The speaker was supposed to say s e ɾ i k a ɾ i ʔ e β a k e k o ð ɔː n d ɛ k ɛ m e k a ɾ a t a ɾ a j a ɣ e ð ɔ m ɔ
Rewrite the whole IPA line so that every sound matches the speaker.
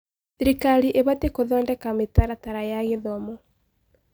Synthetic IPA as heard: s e ɾ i k a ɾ i ʔ e β a t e k o ð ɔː n d ɛ k a m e t a ɾ a t a ɾ a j a ɣ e ð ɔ m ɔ